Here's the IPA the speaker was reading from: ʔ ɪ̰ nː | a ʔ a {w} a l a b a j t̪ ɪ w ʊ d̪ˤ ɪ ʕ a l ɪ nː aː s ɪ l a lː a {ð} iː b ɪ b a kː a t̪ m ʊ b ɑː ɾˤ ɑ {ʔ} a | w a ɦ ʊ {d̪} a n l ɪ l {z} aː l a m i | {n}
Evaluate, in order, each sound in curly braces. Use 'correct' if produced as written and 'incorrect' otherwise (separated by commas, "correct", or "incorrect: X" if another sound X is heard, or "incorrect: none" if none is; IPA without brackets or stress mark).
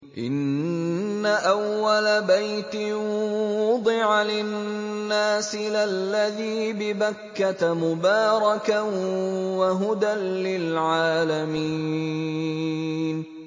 incorrect: wː, correct, incorrect: k, correct, incorrect: ʕ, correct